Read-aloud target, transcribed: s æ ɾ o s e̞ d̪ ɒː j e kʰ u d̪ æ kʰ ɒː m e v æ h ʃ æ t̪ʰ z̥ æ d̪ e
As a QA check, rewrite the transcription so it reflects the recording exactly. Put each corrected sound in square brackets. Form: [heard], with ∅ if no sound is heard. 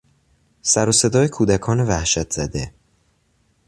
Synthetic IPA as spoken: s æ ɾ o s e̞ d̪ ɒː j e kʰ [uː] d̪ æ kʰ ɒː [n] e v æ h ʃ æ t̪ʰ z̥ æ d̪ e